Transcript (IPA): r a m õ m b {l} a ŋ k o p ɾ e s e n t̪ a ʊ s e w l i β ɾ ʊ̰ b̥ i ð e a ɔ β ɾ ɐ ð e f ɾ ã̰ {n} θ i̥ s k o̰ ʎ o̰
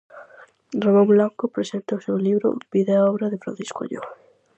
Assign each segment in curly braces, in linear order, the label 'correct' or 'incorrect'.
correct, correct

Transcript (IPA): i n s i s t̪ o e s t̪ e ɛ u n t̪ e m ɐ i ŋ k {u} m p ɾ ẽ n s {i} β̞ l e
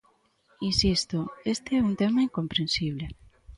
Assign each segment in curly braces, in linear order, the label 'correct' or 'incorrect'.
incorrect, correct

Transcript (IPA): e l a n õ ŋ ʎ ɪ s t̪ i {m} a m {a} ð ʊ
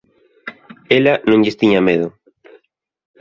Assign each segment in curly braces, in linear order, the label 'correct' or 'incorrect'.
incorrect, incorrect

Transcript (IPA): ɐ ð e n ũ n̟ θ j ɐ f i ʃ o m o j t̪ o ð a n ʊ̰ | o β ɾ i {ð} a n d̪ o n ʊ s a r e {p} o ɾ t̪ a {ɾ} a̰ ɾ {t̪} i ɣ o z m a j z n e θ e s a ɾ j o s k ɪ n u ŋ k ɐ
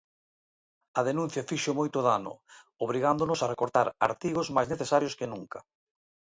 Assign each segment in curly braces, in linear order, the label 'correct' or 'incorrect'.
incorrect, incorrect, correct, correct

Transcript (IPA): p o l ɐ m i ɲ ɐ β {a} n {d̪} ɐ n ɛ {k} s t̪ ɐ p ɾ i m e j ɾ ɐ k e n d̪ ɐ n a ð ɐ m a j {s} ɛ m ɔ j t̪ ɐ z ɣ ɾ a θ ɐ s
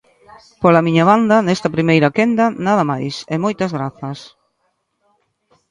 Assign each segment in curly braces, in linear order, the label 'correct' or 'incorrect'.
correct, correct, incorrect, correct

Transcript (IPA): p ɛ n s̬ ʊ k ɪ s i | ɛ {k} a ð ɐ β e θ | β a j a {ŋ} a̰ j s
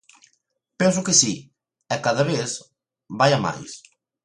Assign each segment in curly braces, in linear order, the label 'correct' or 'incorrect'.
correct, incorrect

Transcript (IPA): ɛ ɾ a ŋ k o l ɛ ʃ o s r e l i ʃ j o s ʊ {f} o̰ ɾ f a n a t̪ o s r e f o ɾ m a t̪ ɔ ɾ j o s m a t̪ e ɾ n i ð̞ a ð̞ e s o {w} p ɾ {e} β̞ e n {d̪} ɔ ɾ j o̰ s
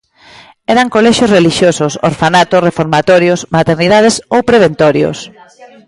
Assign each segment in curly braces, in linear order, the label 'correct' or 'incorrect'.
incorrect, correct, correct, incorrect

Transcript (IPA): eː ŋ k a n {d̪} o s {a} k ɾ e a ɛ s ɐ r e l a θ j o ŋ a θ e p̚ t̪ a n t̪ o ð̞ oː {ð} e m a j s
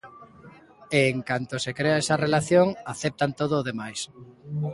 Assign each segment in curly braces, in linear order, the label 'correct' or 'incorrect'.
incorrect, incorrect, correct

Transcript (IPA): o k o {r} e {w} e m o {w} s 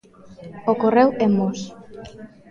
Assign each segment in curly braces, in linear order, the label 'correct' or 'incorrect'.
correct, correct, incorrect

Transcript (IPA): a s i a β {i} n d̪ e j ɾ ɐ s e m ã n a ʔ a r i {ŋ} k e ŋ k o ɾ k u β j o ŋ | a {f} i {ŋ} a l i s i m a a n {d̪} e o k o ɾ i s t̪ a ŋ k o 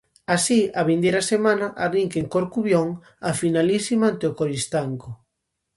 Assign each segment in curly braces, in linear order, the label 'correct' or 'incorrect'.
correct, correct, correct, incorrect, incorrect

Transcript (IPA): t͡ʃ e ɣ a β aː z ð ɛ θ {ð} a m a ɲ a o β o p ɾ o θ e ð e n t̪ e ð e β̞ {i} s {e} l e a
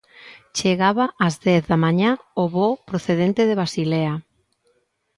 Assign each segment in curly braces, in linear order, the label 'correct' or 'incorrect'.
correct, incorrect, incorrect

